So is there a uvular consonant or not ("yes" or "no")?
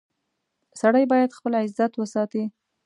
no